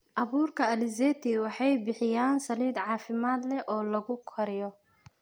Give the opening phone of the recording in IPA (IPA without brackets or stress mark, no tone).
ʔ